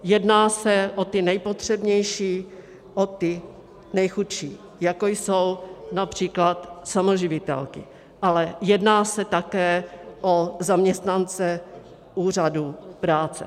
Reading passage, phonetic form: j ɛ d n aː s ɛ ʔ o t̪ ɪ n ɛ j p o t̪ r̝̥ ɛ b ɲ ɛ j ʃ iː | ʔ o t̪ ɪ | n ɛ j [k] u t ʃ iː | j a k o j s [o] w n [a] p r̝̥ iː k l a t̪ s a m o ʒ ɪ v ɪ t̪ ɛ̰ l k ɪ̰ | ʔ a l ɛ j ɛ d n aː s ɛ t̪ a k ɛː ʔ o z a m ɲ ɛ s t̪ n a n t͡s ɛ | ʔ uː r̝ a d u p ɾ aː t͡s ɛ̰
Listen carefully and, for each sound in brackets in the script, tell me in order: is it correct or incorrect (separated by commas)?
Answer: incorrect, correct, correct